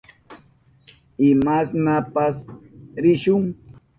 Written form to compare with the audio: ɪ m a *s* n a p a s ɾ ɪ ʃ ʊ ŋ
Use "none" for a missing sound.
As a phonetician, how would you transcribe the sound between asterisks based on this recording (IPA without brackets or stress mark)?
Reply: s